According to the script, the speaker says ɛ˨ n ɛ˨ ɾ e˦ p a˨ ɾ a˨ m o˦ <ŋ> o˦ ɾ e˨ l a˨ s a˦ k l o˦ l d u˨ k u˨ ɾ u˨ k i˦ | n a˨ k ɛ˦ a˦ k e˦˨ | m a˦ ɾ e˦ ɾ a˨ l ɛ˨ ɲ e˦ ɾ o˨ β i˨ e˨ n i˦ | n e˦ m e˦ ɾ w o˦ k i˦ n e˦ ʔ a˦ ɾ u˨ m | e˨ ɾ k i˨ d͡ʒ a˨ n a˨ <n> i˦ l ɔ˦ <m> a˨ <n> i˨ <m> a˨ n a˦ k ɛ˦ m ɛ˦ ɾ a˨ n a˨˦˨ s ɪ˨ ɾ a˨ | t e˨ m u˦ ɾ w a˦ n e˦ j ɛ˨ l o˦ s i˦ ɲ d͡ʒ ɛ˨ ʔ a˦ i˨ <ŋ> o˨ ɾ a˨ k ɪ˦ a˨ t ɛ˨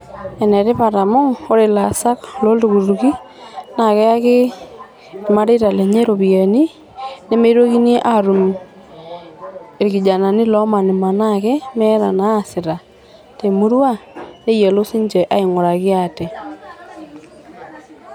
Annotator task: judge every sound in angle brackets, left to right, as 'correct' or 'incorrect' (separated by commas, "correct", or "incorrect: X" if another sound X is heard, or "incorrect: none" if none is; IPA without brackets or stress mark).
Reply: correct, correct, correct, correct, correct, correct